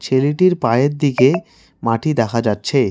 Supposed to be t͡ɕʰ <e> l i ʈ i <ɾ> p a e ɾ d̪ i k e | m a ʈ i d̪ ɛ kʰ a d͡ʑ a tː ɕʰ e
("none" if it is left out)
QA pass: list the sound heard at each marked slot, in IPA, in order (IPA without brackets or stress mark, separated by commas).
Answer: e, ɾ